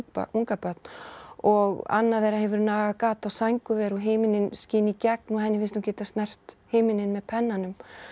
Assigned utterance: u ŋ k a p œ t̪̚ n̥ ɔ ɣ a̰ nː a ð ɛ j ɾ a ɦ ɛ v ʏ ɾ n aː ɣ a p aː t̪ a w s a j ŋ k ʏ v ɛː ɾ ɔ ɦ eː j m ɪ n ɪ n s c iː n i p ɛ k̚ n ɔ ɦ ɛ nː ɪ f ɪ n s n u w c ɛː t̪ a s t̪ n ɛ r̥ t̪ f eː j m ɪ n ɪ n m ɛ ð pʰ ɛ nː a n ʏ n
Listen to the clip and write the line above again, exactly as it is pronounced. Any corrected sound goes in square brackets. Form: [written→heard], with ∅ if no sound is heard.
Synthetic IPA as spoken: u ŋ k a p œ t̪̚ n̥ ɔ ɣ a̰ nː a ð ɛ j ɾ a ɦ ɛ v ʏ ɾ n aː ɣ a [p→k] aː t̪ a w s a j ŋ k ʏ v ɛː ɾ ɔ ɦ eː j m ɪ n ɪ n s c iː n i [p→c] ɛ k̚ n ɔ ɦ ɛ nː ɪ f ɪ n s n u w c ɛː t̪ a s t̪ n ɛ r̥ t̪ [f→h] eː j m ɪ n ɪ n m ɛ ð pʰ ɛ nː a n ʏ [n→m]

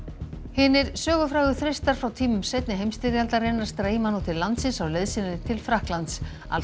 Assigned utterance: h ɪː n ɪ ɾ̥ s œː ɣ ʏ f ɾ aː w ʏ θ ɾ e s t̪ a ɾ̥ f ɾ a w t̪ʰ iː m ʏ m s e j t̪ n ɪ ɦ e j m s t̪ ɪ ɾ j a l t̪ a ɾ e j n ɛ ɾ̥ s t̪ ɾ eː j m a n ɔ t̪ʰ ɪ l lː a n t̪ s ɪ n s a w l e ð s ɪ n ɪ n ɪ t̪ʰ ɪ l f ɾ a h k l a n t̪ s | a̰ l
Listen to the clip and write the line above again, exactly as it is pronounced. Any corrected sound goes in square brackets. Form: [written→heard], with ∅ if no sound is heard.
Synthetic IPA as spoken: h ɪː n ɪ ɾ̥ s œː ɣ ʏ f ɾ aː [w→ɣ] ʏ θ ɾ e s t̪ a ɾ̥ f ɾ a w t̪ʰ iː m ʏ m s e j t̪ n ɪ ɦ e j m s t̪ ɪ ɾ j a l t̪ a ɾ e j n [ɛ→a] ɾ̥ s t̪ ɾ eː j m a n ɔ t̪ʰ ɪ l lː a n t̪ s ɪ n s a w l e ð s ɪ n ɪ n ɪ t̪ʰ ɪ l f ɾ a h k l a n t̪ s | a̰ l

